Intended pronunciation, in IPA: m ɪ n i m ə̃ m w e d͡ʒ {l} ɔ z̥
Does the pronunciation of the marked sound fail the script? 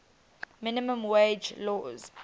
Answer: no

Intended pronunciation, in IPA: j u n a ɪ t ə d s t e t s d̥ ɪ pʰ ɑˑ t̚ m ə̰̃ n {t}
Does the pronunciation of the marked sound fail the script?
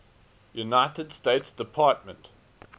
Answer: no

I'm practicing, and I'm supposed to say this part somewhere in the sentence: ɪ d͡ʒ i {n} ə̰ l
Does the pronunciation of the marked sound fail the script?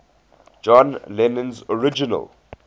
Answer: no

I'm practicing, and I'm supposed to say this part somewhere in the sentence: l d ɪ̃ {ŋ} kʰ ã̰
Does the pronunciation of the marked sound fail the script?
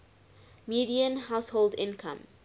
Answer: yes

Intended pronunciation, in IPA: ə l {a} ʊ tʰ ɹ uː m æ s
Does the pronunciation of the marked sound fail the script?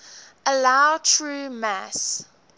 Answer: no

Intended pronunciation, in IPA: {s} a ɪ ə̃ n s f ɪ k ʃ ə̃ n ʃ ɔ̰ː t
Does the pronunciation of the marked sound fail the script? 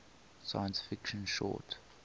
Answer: no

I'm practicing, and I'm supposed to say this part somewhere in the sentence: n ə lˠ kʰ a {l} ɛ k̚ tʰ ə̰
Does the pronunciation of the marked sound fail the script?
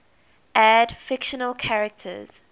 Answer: yes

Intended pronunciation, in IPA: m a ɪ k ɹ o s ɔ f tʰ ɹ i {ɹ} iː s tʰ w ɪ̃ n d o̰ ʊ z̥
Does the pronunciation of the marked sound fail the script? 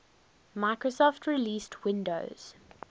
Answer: yes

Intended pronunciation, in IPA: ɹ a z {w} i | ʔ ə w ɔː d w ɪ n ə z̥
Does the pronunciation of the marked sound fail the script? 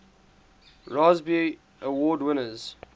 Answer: yes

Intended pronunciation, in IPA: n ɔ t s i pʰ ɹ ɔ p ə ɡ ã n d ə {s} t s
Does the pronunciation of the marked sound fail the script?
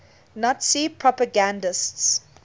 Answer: no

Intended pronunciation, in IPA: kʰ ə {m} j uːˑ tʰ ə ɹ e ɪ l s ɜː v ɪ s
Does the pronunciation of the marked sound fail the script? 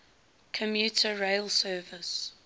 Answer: no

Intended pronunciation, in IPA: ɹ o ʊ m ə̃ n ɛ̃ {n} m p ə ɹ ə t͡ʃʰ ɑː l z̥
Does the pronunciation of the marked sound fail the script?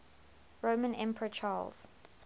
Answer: yes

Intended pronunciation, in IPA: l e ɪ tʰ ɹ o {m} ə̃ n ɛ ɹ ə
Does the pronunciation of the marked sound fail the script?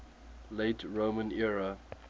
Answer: no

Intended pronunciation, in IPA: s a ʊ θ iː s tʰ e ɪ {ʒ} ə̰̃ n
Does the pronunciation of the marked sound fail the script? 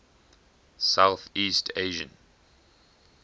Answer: no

